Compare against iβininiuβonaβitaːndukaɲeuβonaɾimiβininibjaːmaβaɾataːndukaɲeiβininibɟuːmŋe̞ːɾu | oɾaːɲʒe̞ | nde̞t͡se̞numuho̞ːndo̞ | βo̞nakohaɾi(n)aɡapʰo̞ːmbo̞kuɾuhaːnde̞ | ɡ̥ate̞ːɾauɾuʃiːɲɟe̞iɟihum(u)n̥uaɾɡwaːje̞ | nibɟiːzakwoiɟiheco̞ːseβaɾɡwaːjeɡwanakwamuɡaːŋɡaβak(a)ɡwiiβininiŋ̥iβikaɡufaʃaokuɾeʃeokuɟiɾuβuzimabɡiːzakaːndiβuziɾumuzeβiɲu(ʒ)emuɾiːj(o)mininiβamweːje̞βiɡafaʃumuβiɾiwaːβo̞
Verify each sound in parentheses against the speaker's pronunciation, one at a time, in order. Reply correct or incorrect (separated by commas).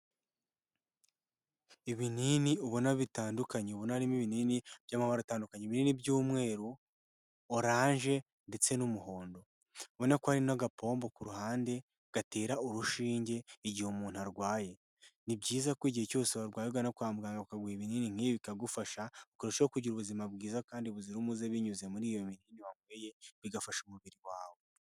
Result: correct, incorrect, correct, incorrect, correct